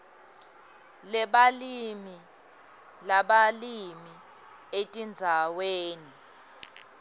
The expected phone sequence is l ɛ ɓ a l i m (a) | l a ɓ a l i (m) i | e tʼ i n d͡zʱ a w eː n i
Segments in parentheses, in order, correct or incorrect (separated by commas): incorrect, correct